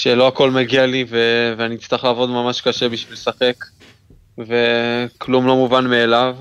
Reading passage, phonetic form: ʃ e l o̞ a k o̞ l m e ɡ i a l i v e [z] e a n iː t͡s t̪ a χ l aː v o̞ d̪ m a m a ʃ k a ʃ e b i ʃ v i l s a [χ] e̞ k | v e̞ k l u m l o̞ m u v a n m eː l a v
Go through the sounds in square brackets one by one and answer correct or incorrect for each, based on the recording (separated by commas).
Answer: incorrect, correct